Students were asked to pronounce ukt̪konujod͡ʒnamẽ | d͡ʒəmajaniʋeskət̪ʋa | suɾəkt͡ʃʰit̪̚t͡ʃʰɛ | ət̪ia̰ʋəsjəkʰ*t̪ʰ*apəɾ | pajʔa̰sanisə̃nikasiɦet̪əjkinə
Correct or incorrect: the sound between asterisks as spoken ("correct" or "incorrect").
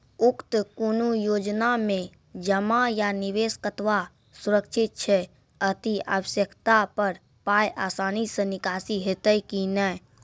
incorrect